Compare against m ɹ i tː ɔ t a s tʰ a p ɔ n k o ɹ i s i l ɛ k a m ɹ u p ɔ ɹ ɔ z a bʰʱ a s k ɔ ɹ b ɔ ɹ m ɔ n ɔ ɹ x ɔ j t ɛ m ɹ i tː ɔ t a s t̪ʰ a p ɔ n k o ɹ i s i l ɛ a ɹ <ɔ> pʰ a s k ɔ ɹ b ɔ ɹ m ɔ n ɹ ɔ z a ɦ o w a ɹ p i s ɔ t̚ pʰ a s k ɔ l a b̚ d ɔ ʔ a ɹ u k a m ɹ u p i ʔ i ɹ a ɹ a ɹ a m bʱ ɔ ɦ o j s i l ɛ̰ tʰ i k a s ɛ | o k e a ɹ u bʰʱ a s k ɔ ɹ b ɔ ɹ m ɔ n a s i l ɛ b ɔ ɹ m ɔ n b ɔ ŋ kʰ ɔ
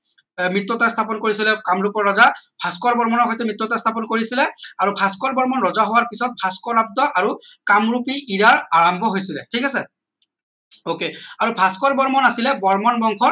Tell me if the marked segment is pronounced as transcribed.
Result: no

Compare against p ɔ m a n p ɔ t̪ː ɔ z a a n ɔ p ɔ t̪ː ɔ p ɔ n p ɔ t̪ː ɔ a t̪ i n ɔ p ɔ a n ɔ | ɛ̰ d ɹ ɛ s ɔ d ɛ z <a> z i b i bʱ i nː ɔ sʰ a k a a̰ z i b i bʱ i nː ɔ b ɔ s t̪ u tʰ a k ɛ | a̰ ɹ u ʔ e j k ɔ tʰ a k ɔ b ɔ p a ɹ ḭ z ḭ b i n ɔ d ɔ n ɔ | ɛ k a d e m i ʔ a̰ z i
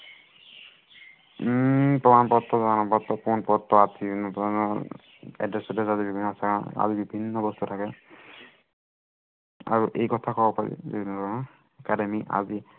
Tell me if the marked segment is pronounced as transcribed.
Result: yes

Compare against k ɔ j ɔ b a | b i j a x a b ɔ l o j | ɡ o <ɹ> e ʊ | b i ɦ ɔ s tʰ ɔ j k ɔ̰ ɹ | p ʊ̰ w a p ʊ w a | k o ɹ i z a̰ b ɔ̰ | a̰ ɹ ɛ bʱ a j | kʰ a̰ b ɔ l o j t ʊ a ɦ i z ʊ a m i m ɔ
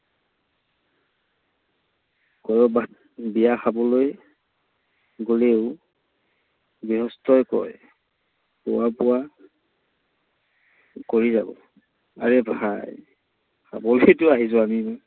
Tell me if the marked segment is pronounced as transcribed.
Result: no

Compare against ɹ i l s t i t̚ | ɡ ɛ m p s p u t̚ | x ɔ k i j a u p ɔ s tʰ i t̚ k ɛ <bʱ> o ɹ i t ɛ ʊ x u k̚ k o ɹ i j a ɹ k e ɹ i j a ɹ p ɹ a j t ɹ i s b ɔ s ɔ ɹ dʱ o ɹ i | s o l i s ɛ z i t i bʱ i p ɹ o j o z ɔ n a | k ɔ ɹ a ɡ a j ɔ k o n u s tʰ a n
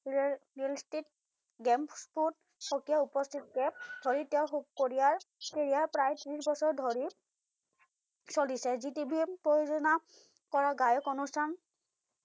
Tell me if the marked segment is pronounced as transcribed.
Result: no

